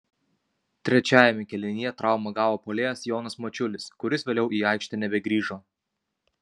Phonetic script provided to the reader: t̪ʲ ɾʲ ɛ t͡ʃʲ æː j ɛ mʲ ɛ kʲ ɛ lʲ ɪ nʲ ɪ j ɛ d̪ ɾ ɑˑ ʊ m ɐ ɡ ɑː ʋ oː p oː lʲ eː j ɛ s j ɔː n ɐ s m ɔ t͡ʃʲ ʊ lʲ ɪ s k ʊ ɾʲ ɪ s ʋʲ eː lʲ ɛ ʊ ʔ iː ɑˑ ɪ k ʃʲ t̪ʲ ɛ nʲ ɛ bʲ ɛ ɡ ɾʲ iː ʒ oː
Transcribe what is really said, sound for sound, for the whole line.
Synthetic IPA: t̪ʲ ɾʲ ɛ t͡ʃʲ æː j ɛ mʲ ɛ kʲ ɛ lʲ ɪ nʲ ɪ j ɛ t̪ ɾ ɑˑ ʊ m ɐ ɡ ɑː ʋ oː p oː lʲ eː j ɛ s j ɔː n ɐ s m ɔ t͡ʃʲ ʊ lʲ ɪ s k ʊ ɾʲ ɪ s ʋʲ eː lʲ ɛ ʊ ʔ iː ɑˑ ɪ k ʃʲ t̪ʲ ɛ nʲ ɛ bʲ ɛ ɡ ɾʲ iː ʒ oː